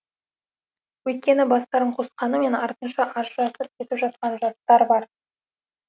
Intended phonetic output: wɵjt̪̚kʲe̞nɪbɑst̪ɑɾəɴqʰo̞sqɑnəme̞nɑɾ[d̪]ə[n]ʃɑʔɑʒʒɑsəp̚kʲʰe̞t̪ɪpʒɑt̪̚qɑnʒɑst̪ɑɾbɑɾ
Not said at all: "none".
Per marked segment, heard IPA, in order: t̪, n

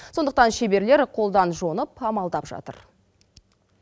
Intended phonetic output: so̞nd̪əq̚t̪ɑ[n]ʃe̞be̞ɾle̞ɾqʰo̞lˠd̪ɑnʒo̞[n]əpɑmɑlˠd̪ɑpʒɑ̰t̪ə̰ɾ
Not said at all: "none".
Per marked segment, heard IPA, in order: n, n

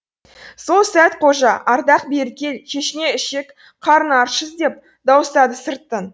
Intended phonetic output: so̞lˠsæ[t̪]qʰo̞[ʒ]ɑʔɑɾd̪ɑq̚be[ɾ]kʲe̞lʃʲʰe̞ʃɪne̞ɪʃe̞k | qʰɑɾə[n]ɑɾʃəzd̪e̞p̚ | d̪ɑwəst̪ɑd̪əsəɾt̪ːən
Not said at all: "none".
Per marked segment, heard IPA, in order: t̪, ʒ, ɾ, n

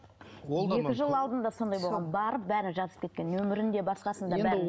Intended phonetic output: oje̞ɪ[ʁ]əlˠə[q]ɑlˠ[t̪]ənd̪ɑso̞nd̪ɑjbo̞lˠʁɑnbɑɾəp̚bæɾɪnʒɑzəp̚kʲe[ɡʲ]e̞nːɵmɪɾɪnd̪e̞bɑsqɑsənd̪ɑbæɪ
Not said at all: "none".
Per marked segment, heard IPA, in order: ʒ, none, d̪, kʲ

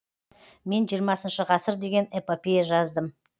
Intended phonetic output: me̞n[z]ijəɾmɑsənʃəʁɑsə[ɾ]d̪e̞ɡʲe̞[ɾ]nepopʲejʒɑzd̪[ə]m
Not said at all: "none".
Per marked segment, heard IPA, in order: ʒ, ɾ, none, ə

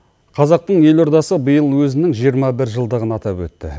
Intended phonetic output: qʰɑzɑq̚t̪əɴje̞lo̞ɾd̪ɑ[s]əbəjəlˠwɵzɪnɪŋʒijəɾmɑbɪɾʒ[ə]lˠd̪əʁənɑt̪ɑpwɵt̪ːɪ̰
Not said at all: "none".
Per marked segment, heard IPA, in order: s, ə

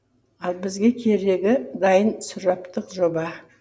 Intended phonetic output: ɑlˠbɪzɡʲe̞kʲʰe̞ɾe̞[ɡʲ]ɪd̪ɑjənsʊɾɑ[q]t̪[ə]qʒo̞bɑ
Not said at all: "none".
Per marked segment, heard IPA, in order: ɡʲ, p, ə

